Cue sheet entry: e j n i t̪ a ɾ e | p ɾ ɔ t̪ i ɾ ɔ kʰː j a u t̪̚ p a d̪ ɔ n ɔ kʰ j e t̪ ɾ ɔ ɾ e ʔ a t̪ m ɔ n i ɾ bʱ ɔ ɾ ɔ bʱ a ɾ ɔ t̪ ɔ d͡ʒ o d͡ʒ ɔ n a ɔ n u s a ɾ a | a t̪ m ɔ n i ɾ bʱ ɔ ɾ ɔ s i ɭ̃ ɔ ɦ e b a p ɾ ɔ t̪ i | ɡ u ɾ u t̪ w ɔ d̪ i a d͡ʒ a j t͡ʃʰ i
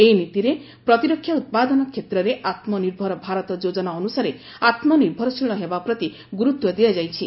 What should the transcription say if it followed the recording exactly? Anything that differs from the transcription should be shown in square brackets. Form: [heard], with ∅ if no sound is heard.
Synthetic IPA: e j n i t̪ [i] ɾ e | p ɾ ɔ t̪ i ɾ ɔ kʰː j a u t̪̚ p a d̪ ɔ n ɔ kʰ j e t̪ ɾ ɔ ɾ e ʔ a t̪ m ɔ n i ɾ bʱ ɔ ɾ ɔ bʱ a ɾ ɔ t̪ ɔ d͡ʒ o d͡ʒ ɔ n a ɔ n u s a ɾ [e] | a t̪ m ɔ n i ɾ bʱ ɔ ɾ ɔ s i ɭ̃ ɔ ɦ e b a p ɾ ɔ t̪ i | ɡ u ɾ u t̪ w ɔ d̪ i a d͡ʒ a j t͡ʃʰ i

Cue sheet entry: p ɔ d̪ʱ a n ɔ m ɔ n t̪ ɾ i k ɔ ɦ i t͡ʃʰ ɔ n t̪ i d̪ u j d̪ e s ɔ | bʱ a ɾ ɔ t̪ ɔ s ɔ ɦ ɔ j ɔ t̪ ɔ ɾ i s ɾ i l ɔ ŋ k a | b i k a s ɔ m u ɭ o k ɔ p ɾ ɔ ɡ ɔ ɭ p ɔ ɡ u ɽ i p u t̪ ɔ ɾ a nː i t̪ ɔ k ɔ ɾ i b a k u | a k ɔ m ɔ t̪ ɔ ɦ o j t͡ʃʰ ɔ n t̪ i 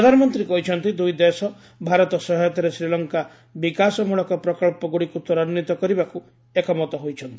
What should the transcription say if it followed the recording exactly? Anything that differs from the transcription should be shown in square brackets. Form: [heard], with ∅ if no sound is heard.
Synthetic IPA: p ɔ d̪ʱ a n ɔ m ɔ n t̪ ɾ i k ɔ ɦ i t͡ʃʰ ɔ n t̪ i d̪ u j d̪ e s ɔ | bʱ a ɾ ɔ t̪ ɔ s ɔ ɦ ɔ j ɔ t̪ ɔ ɾ [e] s ɾ i l ɔ ŋ k a | b i k a s ɔ m u ɭ [ɔ] k ɔ p ɾ ɔ [k] ɔ ɭ p ɔ ɡ u ɽ i [k] u t̪ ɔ ɾ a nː i t̪ ɔ k ɔ ɾ i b a k u | [e] k ɔ m ɔ t̪ ɔ ɦ o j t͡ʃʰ ɔ n t̪ i

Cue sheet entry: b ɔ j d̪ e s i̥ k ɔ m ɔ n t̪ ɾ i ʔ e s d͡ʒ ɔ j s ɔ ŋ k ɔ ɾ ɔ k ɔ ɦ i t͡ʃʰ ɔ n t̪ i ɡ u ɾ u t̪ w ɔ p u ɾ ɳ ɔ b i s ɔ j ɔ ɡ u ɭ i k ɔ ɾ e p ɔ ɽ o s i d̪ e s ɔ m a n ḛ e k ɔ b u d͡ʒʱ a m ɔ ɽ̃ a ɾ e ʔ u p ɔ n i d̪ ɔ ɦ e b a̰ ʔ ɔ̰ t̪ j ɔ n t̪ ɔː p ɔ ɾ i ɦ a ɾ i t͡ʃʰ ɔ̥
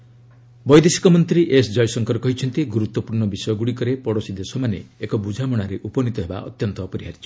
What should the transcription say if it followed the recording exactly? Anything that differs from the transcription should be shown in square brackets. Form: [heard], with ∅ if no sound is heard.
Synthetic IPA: b ɔ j d̪ e s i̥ k ɔ m ɔ n t̪ ɾ i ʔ e s d͡ʒ ɔ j s ɔ ŋ k ɔ ɾ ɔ k ɔ ɦ i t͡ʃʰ ɔ n t̪ i ɡ u ɾ u t̪ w ɔ p u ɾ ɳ ɔ b i s ɔ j ɔ ɡ u [ɽ] i k ɔ ɾ e p ɔ ɽ o s i d̪ e s ɔ m a n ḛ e k ɔ b u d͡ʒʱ a m ɔ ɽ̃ a ɾ e ʔ u p ɔ n i [t̪] ɔ ɦ e b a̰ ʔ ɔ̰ t̪ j ɔ n t̪ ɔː p ɔ ɾ i ɦ a ɾ i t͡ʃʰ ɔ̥

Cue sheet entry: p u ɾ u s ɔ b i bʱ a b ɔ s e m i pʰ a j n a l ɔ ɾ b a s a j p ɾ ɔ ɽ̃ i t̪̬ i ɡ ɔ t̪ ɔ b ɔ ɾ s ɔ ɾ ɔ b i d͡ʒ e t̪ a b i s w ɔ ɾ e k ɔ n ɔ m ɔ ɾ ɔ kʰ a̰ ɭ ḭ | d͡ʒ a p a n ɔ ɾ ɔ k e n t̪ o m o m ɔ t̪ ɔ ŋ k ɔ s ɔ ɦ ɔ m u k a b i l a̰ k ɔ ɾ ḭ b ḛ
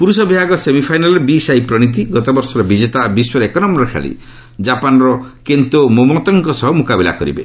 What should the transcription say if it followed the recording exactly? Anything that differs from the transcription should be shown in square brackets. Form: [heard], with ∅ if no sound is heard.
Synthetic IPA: p u ɾ u s ɔ b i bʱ a [ɡ] ɔ s e m i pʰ a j n a l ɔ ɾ b [i] s a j p ɾ ɔ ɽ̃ i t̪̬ i ɡ ɔ t̪ ɔ b ɔ ɾ s ɔ ɾ ɔ b i d͡ʒ e t̪ a b i s w ɔ ɾ e k ɔ n ɔ m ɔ ɾ ɔ kʰ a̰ ɭ ḭ | d͡ʒ a p a n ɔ ɾ ɔ k e n t̪ o m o m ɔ t̪ ɔ ŋ k ɔ s ɔ ɦ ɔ m u k a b i l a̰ k ɔ ɾ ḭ b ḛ

